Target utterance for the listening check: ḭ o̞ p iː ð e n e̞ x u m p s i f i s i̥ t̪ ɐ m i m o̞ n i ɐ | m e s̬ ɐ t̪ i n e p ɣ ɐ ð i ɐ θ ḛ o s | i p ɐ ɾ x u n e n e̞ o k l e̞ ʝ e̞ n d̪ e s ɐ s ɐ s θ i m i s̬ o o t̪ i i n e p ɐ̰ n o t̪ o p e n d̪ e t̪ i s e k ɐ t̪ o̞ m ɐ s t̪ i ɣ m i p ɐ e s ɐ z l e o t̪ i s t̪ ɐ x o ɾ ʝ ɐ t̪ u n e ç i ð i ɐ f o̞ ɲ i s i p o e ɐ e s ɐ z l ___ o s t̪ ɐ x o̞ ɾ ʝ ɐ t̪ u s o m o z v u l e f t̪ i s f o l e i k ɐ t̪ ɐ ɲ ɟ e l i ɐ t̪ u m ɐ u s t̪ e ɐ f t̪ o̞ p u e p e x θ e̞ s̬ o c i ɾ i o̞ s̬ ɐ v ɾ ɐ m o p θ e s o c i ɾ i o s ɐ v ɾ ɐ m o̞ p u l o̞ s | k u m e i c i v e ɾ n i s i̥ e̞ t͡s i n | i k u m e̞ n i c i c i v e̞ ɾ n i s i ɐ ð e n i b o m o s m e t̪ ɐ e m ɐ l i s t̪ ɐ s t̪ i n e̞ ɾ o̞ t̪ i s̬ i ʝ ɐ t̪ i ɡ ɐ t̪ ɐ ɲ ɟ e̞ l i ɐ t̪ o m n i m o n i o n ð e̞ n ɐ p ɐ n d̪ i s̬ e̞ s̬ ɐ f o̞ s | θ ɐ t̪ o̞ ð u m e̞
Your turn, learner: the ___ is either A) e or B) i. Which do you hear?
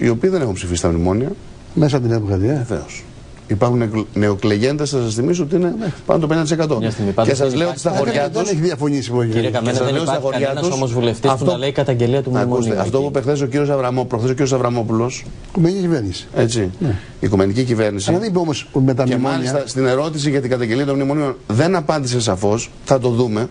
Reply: A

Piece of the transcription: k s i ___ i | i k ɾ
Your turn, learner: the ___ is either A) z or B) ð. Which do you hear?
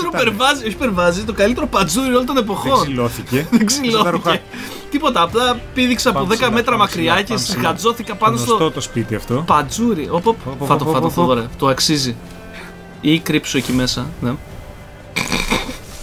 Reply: A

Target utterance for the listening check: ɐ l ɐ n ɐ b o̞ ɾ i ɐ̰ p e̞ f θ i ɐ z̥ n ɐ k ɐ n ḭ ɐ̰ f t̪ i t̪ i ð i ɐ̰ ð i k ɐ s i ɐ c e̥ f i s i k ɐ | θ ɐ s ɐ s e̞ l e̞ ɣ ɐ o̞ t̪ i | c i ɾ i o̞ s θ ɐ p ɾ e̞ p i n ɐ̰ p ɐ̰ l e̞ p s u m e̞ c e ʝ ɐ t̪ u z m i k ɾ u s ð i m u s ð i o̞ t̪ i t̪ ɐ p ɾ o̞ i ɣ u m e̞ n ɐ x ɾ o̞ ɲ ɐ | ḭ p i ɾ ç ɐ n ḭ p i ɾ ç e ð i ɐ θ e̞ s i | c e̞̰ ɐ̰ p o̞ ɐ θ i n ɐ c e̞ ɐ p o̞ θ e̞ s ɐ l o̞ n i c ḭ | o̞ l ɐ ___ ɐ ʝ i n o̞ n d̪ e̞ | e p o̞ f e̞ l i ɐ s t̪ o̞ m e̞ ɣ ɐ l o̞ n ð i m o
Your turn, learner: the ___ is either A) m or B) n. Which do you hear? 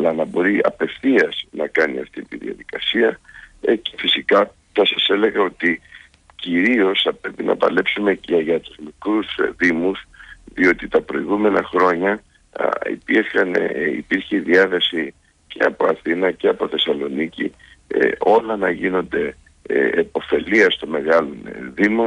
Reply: B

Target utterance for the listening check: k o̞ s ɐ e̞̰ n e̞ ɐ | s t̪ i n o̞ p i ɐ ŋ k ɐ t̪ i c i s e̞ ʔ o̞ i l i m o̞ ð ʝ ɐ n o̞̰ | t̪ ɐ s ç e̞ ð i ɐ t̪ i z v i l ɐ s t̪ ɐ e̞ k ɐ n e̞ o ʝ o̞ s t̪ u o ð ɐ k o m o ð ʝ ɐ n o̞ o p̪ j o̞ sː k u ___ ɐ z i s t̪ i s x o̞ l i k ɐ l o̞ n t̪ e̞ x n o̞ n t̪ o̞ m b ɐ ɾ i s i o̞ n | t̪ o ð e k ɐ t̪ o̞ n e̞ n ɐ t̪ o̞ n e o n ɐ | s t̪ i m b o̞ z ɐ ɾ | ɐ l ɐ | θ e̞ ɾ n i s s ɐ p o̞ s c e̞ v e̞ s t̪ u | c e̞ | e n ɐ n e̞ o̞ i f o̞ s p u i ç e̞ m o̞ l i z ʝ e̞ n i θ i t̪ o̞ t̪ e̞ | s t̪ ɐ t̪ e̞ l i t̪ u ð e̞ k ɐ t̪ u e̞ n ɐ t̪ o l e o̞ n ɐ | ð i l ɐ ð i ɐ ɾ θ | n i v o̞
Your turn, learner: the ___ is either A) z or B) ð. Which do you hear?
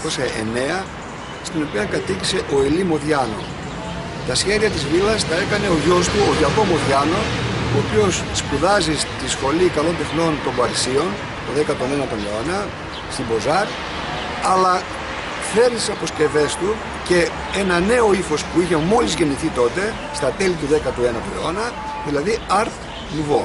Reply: B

